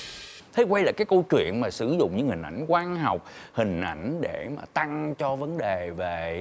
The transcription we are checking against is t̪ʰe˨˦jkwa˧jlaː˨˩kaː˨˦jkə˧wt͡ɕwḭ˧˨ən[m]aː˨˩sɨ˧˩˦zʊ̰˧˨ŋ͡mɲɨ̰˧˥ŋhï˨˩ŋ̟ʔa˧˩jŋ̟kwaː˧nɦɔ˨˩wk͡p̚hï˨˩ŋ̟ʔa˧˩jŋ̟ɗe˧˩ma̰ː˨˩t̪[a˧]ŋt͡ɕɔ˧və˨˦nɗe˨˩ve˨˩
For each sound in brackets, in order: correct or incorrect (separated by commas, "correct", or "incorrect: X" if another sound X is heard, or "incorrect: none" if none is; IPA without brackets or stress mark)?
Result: correct, correct